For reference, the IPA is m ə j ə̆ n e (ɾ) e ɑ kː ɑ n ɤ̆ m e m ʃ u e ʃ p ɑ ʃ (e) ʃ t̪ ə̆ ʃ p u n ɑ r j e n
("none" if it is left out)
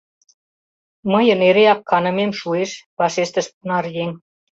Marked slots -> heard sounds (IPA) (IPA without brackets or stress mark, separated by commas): ɾ, e